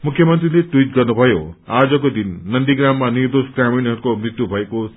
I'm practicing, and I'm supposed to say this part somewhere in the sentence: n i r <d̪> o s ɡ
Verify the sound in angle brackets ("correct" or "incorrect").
correct